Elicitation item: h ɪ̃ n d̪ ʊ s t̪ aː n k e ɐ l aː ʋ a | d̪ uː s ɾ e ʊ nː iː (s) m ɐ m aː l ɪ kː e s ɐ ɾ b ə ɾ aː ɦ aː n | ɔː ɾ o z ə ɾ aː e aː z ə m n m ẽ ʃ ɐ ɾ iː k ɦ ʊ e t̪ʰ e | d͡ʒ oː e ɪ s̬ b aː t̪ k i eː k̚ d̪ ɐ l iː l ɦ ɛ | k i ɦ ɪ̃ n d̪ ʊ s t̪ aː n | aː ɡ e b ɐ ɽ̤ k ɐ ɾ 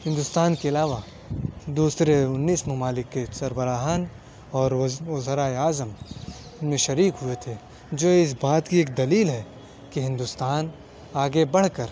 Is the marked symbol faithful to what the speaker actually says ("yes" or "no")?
yes